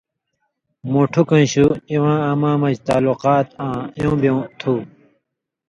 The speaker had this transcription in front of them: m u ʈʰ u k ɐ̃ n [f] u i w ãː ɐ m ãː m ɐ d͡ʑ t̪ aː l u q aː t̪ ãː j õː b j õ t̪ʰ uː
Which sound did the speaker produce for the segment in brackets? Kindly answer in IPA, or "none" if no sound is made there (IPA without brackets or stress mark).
ɕ